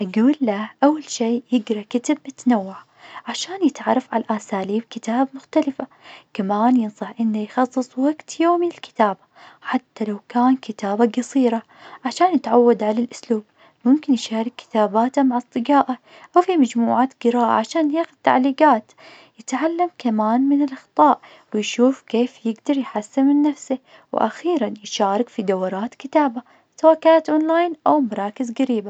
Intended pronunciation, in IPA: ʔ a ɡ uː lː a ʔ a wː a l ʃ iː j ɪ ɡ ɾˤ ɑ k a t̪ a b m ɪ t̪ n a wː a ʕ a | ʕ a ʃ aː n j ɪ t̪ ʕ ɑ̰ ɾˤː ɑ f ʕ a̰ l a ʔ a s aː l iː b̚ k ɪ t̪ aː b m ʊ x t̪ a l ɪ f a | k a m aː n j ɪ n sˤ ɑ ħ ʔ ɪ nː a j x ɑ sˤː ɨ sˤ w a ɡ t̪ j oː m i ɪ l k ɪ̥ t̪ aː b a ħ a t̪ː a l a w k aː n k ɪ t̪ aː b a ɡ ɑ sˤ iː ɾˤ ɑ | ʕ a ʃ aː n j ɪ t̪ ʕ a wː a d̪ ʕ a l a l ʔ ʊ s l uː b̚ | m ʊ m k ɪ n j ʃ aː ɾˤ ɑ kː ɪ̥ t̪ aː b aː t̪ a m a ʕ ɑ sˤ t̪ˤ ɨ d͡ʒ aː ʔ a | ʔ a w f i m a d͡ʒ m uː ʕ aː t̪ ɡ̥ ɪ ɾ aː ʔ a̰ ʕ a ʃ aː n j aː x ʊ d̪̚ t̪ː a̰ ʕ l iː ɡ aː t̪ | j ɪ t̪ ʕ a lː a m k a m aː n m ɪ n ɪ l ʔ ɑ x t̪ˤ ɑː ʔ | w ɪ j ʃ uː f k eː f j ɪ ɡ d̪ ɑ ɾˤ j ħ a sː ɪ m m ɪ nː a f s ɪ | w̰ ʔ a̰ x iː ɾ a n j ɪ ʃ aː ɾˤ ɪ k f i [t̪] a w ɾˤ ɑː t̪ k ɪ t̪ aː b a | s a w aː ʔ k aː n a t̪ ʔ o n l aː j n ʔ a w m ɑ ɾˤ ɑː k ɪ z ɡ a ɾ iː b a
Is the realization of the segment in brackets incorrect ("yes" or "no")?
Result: yes